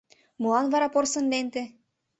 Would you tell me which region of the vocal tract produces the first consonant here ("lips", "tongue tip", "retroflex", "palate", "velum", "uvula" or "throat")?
lips